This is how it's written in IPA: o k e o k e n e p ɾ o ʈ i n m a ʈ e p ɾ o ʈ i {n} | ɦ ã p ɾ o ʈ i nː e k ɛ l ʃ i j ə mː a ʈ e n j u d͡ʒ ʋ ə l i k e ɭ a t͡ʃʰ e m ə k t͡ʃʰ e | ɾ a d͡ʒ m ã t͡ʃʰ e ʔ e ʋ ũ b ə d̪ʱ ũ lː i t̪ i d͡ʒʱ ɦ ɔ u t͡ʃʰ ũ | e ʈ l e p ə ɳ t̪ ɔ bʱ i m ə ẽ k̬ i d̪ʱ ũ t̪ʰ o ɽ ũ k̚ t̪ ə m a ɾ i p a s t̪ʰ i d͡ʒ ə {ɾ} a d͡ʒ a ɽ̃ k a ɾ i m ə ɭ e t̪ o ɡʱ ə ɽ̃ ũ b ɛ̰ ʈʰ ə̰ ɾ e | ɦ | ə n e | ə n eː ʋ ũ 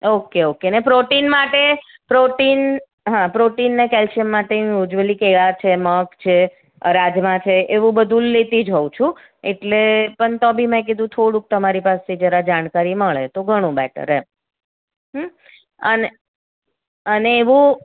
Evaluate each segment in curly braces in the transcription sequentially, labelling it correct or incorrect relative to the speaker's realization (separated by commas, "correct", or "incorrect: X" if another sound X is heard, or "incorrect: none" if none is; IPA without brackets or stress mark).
correct, correct